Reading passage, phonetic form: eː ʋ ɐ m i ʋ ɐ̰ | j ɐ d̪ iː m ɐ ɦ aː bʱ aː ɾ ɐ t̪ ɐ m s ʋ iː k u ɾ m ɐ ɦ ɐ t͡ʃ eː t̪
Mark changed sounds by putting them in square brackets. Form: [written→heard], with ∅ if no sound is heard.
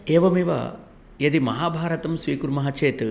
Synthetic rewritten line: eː ʋ ɐ m i ʋ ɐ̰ | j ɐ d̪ [iː→i] m ɐ ɦ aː bʱ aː ɾ ɐ t̪ ɐ m s ʋ iː k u ɾ m ɐ ɦ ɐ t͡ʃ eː t̪